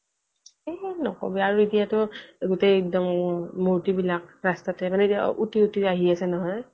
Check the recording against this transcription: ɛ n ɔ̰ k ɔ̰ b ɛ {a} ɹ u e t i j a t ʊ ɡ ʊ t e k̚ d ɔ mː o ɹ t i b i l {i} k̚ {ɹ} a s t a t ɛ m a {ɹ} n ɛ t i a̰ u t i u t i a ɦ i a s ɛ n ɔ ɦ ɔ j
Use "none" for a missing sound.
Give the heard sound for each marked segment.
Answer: a, a, ɹ, none

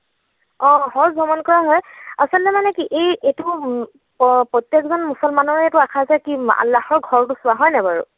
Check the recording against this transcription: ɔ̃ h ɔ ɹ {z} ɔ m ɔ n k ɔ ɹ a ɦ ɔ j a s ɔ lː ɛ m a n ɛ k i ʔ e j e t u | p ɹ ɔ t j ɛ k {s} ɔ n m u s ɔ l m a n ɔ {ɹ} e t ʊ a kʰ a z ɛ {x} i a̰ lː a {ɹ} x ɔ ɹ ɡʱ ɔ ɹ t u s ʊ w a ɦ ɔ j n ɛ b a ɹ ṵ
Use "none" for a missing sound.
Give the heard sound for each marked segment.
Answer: z, z, ɹ, k, none

